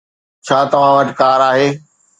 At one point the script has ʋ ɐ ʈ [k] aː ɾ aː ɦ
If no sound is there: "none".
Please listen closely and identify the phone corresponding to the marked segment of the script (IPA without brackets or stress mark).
k